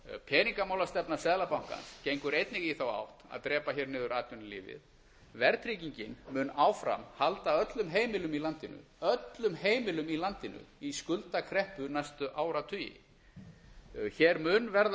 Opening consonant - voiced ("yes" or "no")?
no